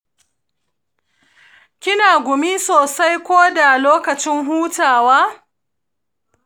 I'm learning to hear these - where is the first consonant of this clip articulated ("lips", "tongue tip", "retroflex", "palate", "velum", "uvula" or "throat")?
velum